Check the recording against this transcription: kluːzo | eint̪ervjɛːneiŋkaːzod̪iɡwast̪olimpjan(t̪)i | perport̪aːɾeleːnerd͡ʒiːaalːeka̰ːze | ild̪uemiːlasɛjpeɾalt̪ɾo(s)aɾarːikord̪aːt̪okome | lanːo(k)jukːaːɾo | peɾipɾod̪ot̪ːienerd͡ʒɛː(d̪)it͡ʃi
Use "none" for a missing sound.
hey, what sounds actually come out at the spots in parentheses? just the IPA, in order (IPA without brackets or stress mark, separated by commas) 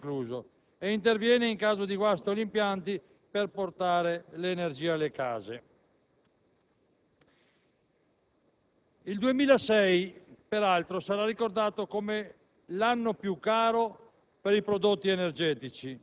t̪, s, p, t̪